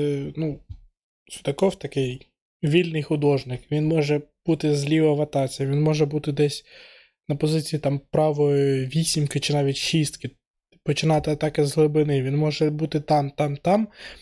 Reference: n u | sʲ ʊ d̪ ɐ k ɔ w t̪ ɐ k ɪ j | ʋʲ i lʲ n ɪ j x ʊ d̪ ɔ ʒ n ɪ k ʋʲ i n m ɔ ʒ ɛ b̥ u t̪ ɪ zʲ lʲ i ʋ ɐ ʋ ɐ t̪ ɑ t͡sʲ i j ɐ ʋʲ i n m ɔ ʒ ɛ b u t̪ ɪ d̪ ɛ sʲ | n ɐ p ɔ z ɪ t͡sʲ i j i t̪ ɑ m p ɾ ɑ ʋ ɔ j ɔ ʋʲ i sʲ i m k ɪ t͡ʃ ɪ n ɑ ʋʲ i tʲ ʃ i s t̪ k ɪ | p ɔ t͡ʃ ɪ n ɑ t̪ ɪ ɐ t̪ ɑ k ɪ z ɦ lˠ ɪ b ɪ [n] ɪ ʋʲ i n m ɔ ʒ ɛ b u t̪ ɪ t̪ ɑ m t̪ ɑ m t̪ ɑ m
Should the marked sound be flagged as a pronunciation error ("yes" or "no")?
no